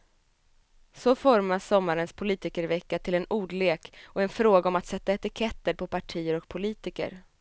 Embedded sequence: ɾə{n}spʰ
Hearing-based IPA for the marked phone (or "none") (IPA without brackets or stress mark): n